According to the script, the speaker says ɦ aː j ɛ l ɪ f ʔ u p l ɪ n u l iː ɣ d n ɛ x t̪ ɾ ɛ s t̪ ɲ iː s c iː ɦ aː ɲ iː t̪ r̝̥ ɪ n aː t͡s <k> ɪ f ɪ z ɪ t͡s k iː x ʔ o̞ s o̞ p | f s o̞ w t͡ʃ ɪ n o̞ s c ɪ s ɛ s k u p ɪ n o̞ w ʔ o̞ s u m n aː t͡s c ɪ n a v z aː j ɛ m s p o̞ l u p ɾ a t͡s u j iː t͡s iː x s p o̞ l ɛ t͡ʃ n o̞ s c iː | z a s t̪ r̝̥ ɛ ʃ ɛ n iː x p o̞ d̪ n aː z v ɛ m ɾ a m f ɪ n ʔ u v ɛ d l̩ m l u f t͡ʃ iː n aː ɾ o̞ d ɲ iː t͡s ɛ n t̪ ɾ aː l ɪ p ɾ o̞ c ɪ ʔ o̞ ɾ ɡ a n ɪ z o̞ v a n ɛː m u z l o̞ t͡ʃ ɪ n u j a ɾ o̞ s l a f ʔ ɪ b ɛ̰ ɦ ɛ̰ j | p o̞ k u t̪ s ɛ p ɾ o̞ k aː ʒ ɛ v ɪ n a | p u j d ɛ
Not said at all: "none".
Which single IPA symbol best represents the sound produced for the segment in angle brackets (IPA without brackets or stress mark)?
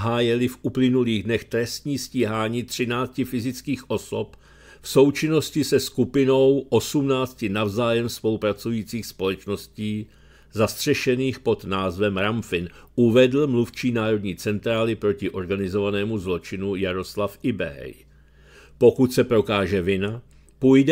c